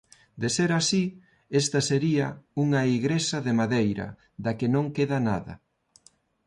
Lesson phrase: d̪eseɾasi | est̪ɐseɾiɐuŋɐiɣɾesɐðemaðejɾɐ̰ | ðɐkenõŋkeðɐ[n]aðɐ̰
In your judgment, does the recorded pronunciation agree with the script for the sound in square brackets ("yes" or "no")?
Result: yes